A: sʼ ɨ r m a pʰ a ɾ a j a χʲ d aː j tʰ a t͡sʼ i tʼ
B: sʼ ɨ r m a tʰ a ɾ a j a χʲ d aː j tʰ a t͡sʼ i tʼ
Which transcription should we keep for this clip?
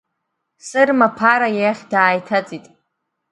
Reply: A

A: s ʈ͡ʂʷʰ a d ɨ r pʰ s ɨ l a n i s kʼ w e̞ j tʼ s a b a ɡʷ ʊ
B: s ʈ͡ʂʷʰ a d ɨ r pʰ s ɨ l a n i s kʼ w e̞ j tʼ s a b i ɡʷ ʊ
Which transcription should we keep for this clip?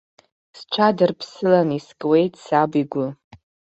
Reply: B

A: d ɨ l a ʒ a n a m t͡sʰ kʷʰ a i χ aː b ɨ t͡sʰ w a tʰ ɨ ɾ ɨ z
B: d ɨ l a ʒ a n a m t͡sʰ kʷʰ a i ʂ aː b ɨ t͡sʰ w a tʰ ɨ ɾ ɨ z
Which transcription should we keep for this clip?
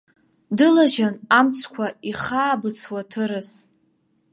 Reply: A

